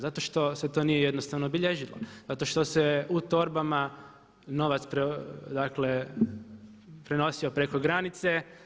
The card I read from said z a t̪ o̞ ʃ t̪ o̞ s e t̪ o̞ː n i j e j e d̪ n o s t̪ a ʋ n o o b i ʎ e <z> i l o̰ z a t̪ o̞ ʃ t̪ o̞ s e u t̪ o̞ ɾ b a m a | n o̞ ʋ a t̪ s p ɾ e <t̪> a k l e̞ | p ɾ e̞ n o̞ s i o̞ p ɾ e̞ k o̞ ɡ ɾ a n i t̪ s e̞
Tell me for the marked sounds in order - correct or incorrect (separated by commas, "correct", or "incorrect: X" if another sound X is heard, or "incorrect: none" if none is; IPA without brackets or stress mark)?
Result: incorrect: ʒ, incorrect: d̪